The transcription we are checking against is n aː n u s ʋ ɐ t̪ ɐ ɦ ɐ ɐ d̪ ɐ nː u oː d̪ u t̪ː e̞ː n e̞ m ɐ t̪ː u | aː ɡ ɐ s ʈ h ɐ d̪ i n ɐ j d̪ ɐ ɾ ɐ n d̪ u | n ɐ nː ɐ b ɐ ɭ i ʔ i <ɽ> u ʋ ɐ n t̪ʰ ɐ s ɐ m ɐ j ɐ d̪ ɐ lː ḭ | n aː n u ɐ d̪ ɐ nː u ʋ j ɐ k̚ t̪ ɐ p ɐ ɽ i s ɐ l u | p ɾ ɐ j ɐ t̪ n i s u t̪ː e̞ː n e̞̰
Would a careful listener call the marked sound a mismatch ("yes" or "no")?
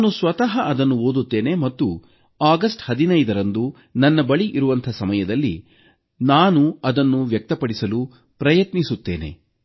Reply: yes